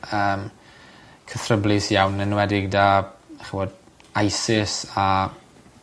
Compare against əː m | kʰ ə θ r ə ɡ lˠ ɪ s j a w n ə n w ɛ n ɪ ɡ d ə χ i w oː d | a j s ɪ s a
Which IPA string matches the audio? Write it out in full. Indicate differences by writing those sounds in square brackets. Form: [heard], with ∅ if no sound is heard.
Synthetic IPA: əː m | kʰ ə θ r ə [b] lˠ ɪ s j a w n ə n w ɛ [d] ɪ ɡ d [a] χ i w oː d | a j s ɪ s a